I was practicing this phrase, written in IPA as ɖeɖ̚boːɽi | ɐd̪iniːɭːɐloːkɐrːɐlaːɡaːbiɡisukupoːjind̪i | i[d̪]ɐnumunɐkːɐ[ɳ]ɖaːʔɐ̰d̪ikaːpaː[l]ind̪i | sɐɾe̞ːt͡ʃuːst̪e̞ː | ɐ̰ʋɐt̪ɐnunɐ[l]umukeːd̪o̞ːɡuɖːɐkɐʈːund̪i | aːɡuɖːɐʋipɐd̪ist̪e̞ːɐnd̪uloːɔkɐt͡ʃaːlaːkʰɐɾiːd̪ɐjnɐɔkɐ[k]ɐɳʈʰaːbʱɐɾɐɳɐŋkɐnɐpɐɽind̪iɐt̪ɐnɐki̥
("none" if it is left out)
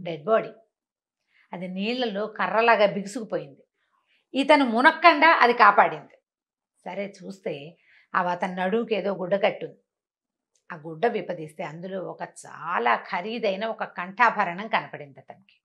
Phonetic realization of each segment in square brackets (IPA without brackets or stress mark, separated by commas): t̪, ɳ, ɽ, ɽ, k